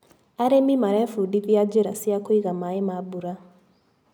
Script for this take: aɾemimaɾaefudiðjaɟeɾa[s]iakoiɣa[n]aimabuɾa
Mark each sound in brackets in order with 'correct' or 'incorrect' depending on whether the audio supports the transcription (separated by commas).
correct, incorrect